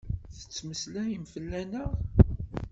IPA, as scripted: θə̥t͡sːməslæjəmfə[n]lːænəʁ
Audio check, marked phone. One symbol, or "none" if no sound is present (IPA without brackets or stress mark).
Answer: none